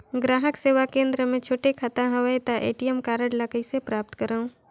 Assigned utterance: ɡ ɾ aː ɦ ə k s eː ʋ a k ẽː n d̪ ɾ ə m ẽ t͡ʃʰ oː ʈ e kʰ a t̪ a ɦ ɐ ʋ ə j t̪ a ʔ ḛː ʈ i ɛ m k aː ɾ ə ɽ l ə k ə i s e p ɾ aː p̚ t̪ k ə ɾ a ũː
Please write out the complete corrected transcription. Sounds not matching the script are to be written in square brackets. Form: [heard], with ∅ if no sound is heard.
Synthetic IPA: ɡ ɾ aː ɦ ə k s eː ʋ a k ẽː n d̪ ɾ ə m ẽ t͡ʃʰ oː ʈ e kʰ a t̪ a ɦ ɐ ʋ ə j t̪ a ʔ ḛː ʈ i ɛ m k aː ɾ ə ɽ l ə k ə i s e p ɾ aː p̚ t̪ k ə ɾ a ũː